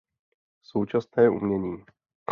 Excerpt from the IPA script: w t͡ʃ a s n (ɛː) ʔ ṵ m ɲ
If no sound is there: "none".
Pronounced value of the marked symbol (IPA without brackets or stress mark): ɛː